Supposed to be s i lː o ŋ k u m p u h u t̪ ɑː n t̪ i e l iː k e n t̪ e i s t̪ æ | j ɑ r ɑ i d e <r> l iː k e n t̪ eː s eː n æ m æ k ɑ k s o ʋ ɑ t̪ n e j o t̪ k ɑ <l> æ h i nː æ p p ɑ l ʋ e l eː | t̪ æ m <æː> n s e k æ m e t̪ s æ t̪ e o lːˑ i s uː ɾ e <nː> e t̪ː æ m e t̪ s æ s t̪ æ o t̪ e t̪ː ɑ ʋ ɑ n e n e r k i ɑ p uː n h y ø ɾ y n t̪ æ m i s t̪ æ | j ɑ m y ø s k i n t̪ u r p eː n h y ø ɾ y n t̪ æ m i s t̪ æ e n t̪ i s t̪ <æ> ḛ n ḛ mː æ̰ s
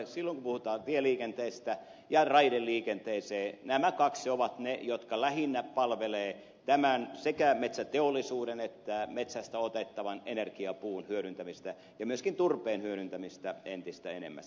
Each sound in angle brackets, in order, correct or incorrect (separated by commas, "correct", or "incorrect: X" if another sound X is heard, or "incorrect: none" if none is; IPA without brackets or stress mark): incorrect: l, correct, incorrect: æ, incorrect: n, correct